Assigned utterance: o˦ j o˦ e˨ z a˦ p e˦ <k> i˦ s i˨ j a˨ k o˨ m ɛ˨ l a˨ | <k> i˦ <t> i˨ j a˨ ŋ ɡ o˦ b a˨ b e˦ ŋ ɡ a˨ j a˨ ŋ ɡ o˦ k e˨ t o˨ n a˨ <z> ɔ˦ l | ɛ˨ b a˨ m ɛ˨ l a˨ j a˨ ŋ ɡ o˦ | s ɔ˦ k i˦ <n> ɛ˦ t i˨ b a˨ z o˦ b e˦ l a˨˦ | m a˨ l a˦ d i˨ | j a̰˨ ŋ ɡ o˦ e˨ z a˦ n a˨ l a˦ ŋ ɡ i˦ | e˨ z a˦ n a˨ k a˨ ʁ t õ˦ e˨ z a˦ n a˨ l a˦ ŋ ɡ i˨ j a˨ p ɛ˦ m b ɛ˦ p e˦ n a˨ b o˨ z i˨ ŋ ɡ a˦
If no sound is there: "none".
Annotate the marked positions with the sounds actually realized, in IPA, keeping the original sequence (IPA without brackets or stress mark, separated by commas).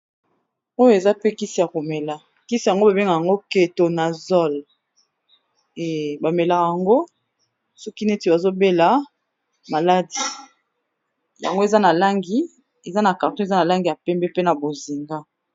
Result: k, k, s, z, n